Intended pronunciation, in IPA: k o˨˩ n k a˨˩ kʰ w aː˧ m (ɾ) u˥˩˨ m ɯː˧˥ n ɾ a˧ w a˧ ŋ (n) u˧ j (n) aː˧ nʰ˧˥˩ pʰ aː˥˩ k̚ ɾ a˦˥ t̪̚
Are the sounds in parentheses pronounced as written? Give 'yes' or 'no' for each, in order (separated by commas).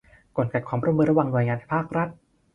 yes, yes, no